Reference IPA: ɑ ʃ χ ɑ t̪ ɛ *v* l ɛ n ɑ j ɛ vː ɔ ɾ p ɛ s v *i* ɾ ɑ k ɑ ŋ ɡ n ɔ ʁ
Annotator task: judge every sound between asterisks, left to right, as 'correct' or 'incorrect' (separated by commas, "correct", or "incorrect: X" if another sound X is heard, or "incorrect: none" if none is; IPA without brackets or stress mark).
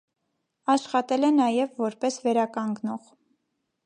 incorrect: none, incorrect: ɛ